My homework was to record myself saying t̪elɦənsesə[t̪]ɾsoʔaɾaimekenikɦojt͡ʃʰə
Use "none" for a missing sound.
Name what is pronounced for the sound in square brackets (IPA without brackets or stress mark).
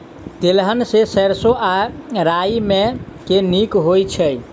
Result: none